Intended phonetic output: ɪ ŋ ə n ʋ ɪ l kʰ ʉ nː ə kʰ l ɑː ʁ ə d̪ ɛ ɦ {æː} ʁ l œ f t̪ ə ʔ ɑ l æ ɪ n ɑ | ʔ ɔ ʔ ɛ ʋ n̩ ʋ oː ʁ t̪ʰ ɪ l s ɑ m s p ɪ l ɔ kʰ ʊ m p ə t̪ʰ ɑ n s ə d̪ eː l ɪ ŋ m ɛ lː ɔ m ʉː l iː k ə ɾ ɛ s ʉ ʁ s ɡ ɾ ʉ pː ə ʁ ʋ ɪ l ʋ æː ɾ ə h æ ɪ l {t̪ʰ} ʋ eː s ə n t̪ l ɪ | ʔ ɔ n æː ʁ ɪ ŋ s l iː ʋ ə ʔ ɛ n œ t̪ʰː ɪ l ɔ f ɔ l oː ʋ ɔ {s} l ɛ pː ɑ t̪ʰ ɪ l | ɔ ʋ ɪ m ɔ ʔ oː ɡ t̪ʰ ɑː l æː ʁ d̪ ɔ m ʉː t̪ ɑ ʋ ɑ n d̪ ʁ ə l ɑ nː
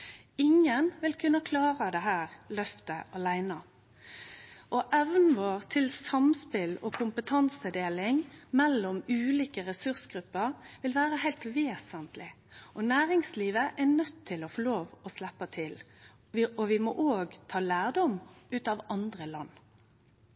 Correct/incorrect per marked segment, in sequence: correct, incorrect: t̪, correct

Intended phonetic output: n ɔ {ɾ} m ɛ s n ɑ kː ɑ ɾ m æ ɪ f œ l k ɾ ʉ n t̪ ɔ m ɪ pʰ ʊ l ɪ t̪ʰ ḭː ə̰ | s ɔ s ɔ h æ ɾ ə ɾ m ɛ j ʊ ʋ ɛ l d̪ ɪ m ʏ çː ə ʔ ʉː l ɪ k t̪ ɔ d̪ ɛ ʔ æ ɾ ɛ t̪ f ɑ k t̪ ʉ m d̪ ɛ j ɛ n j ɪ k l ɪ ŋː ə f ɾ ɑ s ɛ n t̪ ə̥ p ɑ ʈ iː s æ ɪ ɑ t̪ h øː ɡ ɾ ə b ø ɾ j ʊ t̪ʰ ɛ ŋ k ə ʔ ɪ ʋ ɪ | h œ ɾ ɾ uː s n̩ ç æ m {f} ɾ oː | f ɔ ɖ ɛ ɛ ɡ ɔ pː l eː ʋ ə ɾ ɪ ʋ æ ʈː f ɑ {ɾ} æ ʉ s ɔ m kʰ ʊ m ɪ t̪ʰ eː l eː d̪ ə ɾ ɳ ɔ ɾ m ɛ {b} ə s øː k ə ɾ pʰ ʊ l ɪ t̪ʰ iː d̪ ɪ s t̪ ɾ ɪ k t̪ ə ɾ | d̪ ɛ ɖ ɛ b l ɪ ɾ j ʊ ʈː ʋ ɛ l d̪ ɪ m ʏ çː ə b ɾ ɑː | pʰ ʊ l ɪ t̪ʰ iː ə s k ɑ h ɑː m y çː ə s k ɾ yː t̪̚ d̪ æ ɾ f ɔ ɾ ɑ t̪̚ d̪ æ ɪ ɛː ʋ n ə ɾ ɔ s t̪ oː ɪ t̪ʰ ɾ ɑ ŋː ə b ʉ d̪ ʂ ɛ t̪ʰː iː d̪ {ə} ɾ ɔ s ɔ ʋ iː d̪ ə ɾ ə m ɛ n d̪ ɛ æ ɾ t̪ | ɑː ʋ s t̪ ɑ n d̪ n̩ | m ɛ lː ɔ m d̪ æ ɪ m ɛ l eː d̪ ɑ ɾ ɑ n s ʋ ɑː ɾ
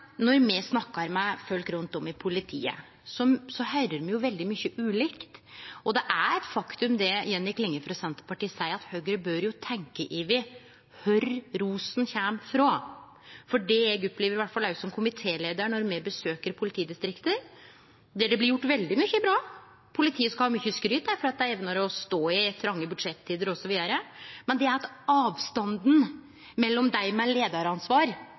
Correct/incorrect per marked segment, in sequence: correct, correct, incorrect: l, correct, correct

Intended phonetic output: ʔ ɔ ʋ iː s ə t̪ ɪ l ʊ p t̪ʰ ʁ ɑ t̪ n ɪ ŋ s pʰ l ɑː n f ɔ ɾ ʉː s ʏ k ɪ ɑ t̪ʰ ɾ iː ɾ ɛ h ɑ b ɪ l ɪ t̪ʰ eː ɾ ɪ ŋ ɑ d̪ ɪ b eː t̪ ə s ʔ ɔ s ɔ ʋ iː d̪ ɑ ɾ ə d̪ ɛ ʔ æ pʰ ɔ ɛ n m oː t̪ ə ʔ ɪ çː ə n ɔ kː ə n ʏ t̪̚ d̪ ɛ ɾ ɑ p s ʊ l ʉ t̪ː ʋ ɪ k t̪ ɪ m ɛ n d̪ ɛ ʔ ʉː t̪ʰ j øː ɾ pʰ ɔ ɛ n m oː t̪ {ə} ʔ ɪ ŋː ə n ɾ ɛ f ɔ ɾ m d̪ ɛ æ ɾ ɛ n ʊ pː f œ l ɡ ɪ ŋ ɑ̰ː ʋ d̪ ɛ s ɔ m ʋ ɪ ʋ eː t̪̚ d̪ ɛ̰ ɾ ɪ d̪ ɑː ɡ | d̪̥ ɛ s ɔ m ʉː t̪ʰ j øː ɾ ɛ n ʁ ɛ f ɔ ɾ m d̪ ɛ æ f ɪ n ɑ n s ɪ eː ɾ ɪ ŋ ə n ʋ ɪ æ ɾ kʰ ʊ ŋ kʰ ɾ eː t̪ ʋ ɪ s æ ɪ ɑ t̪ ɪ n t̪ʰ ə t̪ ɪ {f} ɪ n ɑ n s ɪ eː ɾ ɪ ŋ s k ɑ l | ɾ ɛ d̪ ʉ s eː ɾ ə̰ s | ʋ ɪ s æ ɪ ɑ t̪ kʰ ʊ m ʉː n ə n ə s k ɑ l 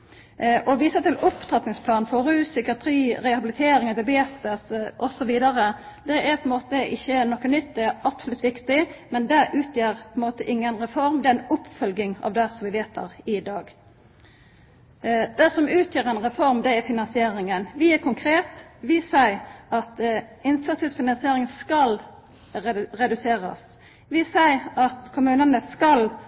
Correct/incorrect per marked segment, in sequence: correct, correct

